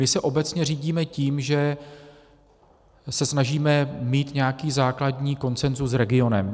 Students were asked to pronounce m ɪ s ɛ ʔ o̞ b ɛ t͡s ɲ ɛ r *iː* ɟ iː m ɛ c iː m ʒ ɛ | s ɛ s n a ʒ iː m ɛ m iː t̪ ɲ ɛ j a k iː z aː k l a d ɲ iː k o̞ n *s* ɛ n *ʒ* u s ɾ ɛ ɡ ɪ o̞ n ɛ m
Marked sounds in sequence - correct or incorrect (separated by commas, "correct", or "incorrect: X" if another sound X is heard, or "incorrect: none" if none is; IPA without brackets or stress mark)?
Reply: correct, incorrect: t͡s, incorrect: z